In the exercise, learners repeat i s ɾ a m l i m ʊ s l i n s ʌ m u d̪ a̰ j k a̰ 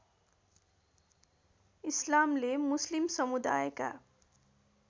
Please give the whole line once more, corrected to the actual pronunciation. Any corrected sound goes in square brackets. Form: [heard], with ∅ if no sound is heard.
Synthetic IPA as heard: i s [l] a m l [e] m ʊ s l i [m] s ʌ m u d̪ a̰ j k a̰